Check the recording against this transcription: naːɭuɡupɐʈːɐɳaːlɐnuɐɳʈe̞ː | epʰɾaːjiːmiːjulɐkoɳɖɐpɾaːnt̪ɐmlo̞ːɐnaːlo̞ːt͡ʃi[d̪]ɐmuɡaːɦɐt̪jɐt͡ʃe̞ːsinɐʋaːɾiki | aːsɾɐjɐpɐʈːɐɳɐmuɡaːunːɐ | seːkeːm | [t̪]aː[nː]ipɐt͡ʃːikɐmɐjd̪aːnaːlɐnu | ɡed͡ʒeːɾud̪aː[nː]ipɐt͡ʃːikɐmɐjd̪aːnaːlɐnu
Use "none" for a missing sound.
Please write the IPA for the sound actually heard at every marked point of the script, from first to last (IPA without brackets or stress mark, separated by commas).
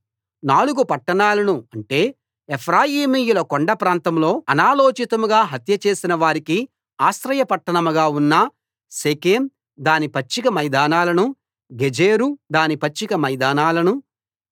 t̪, d̪, n, n